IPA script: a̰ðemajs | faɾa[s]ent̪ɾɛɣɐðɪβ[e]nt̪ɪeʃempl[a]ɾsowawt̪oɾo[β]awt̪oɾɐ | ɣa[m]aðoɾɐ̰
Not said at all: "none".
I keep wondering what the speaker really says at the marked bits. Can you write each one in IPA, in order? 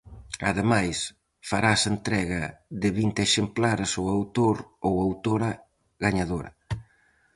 s, i, a, w, ɲ

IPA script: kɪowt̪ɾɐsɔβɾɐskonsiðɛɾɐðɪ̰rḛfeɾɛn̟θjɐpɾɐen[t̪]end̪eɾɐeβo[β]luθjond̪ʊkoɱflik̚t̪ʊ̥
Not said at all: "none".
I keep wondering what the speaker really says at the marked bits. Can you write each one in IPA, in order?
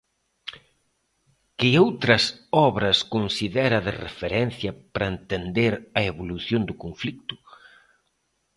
t̪, none

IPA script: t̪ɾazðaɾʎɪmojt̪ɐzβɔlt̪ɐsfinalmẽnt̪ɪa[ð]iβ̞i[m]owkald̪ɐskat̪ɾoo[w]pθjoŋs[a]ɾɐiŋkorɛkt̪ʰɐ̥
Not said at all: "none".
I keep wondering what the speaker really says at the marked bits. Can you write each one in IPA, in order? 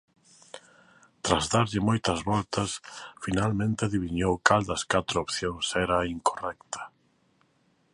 ð, ɲ, none, ɛ

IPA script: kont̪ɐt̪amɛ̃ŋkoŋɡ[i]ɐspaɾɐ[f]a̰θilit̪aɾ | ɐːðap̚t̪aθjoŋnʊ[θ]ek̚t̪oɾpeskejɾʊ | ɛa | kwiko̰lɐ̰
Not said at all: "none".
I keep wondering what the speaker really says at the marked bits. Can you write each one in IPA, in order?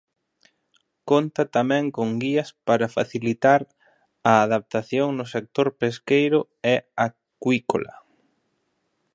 i, f, s

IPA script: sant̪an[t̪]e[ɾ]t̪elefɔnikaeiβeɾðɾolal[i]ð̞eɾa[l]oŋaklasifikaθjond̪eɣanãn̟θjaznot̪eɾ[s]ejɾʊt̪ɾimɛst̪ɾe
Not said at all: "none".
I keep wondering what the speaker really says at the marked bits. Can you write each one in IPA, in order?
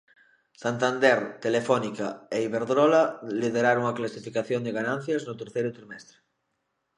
d̪, ɾ, i, ɾ, θ

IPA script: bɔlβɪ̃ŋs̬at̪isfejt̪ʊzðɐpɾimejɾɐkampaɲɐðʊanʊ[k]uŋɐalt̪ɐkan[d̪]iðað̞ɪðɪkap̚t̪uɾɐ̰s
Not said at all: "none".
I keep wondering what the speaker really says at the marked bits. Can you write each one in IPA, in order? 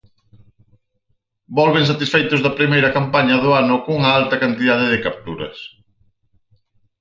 k, t̪

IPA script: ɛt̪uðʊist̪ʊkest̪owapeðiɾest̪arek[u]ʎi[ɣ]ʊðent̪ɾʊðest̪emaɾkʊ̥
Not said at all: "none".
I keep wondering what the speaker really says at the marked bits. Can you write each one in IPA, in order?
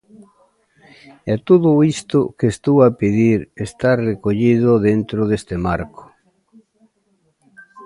o, ð

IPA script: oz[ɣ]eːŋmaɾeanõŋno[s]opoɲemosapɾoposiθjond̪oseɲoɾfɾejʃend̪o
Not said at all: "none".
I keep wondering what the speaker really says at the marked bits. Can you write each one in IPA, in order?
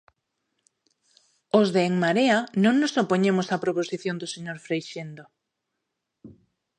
ð, s

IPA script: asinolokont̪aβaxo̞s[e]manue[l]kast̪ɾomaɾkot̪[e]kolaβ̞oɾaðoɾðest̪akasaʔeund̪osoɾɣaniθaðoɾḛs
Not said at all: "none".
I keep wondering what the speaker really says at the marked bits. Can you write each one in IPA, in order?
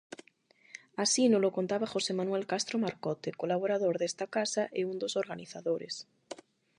e, l, e

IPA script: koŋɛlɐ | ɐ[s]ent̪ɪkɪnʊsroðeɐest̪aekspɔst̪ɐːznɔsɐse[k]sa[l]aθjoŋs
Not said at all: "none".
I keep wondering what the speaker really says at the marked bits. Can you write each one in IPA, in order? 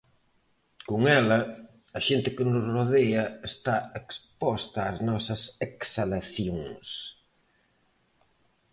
ʃ, k, l

